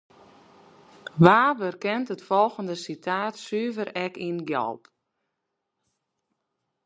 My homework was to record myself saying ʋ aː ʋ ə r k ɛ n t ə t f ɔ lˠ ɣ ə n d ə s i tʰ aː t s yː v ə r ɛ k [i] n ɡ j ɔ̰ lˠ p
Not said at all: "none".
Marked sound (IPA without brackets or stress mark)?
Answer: i